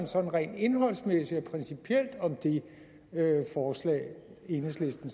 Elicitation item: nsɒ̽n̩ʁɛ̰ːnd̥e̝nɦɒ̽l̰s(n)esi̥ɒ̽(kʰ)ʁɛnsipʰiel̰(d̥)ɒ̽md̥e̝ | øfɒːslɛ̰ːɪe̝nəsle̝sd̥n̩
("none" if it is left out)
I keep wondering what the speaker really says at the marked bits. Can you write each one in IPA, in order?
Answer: m, pʰ, d̥

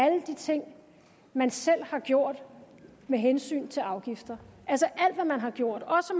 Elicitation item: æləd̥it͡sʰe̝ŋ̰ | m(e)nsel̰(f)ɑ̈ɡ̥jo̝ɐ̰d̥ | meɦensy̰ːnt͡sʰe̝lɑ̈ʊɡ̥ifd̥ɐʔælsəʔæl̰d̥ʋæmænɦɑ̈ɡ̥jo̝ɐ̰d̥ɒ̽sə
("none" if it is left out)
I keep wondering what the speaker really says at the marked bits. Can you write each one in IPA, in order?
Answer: æ, h

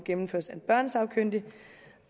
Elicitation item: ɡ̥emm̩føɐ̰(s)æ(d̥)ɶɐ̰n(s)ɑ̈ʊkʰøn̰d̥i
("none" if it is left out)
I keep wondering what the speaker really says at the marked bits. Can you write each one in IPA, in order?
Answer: s, b̥, s

